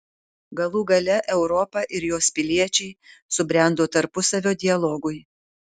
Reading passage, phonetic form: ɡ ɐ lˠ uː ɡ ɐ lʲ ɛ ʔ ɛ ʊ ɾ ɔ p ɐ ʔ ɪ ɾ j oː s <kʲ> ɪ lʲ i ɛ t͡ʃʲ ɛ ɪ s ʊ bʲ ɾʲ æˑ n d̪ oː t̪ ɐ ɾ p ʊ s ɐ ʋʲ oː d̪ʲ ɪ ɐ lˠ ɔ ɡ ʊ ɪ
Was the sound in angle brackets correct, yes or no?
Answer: no